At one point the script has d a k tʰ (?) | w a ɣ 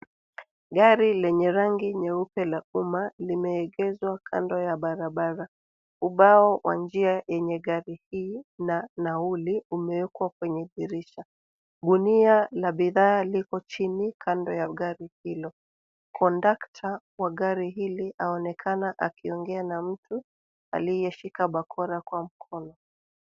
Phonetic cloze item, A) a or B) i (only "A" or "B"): A